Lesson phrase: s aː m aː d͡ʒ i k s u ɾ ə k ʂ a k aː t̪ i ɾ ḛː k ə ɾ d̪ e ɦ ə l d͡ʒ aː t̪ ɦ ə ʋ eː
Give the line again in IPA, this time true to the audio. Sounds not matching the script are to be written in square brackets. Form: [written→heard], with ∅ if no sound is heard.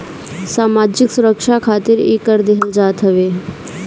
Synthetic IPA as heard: s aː m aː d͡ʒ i k s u ɾ ə k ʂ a [k→kʰ] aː t̪ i ɾ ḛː k ə ɾ d̪ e ɦ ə l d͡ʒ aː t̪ ɦ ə ʋ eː